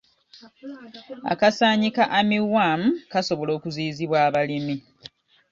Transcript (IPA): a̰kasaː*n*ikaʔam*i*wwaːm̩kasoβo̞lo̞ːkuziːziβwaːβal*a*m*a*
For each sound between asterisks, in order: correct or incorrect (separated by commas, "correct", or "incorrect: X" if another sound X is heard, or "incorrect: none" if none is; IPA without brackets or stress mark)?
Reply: incorrect: ɲ, correct, incorrect: i, incorrect: i